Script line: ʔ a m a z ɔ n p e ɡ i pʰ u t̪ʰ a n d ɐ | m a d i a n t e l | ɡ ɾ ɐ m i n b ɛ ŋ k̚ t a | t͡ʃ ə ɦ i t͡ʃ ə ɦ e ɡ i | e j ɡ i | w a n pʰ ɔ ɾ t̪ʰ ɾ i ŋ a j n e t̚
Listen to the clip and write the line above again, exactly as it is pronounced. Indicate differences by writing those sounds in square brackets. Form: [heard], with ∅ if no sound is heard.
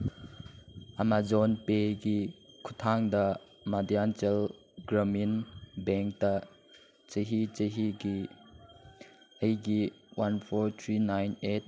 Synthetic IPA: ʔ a m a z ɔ n p e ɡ i [kʰ] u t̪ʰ a [ŋ] d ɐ | m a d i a n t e l | ɡ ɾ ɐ m i n b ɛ ŋ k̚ t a | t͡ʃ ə ɦ i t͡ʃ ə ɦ [i] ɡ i | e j ɡ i | w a n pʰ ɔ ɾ t̪ʰ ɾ i [n] a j n e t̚